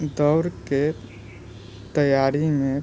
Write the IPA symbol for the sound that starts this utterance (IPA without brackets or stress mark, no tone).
d̪